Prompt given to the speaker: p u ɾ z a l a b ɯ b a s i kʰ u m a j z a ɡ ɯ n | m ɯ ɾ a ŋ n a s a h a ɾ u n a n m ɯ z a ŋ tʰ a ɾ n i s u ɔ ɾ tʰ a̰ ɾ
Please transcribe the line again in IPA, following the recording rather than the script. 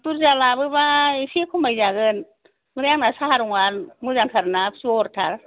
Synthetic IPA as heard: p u ɾ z a l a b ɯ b a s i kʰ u m a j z a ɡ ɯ n | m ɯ ɾ a ŋ n a s a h a ɾ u ŋ a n m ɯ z a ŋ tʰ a ɾ n a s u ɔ ɾ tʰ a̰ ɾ

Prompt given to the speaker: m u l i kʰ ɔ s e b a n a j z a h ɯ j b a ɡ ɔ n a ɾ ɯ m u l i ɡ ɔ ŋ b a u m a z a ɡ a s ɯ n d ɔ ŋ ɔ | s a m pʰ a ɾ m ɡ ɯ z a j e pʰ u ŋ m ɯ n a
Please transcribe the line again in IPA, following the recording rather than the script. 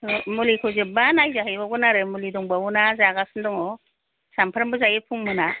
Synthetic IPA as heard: m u l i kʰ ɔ z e b a n a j z a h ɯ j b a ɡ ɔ n a ɾ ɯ m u l i d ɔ ŋ b a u n a z a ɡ a s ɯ n d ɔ ŋ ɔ | s a m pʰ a ɾ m b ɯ z a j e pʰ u ŋ m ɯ n a

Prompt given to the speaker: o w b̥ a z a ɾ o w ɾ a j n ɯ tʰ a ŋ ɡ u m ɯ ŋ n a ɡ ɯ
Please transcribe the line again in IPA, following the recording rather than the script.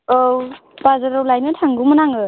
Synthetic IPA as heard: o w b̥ a z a ɾ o w l a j n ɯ tʰ a ŋ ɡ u m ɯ n a ŋ ɯ

